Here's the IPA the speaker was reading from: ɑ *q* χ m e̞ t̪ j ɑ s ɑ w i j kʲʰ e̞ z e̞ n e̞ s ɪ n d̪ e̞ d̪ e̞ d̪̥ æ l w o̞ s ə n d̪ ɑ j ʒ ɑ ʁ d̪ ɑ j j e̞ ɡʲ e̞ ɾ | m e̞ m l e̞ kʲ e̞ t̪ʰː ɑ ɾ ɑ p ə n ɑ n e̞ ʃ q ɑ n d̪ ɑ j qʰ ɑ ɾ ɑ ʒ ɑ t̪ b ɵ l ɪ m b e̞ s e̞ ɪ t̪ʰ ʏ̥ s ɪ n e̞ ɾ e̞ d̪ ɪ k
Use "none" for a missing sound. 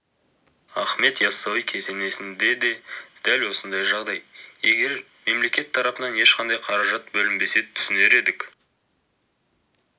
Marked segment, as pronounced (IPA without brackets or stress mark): none